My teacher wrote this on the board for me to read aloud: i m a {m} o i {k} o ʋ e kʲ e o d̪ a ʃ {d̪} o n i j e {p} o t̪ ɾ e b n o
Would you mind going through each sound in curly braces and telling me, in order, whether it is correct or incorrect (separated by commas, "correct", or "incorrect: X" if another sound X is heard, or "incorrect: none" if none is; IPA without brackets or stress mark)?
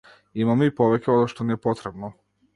correct, incorrect: p, incorrect: t̪, correct